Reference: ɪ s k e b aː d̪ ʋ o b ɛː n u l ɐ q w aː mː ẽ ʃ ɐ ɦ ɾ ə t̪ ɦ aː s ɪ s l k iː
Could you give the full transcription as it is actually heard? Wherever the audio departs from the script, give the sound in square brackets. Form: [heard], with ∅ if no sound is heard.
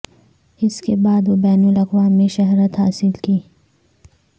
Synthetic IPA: ɪ s k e b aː d̪ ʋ o b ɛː n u l ɐ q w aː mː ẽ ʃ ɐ ɦ ɾ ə t̪ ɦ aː s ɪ [∅] l k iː